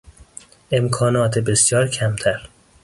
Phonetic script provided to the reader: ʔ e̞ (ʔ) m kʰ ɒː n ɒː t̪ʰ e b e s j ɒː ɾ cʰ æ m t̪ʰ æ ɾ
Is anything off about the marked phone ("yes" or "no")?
yes